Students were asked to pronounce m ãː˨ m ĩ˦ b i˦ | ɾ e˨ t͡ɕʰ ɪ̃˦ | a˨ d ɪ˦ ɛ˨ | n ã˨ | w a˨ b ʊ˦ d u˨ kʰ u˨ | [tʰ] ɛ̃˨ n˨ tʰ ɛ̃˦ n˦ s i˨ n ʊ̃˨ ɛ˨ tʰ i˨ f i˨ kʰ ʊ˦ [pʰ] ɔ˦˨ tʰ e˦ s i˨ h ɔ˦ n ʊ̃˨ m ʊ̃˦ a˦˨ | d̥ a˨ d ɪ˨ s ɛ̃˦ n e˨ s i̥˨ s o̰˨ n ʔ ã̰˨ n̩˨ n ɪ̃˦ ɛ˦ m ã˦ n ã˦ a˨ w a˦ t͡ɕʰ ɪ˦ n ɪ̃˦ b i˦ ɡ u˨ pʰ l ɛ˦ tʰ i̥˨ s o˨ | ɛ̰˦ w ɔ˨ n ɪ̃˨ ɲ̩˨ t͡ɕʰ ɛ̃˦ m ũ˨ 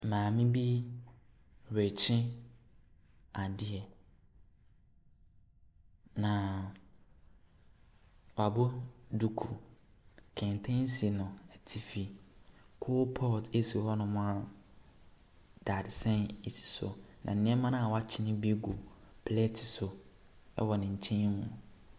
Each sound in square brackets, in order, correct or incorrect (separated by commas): incorrect, correct